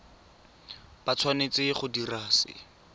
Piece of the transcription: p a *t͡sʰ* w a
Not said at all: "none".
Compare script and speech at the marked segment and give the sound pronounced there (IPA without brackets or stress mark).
t͡sʰ